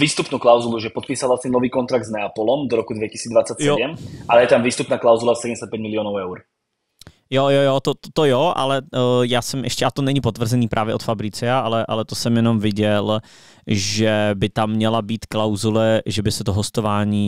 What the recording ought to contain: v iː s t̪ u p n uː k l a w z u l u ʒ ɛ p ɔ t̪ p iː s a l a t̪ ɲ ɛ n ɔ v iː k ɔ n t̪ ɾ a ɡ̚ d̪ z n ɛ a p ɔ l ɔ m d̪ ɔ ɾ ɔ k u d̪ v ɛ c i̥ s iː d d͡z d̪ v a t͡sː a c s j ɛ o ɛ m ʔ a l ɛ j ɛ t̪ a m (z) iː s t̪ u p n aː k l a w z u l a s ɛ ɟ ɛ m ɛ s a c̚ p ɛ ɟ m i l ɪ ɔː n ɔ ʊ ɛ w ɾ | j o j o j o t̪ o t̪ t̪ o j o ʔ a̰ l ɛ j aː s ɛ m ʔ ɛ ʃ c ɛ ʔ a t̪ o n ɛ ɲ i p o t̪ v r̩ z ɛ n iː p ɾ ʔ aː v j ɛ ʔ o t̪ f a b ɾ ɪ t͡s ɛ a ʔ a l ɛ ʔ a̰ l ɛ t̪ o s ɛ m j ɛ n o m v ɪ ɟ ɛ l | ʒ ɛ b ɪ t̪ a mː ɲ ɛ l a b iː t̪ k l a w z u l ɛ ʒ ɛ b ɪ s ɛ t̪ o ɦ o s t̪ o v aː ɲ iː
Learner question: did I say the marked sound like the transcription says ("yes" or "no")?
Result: no